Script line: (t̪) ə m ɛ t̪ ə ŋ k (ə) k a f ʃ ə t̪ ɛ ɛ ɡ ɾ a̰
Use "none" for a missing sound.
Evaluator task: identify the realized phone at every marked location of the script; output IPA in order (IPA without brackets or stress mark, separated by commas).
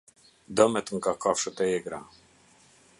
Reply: d̪, a